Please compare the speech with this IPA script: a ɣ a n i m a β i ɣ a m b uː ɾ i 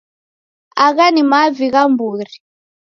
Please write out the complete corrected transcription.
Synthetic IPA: a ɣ a n i m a v i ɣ a m b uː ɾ i